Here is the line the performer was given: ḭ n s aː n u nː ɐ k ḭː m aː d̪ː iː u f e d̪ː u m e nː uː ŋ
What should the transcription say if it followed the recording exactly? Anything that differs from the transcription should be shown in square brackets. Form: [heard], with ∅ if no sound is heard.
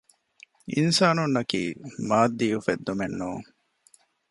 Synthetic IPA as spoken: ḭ n s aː n u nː ɐ k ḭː m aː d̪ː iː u f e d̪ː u m e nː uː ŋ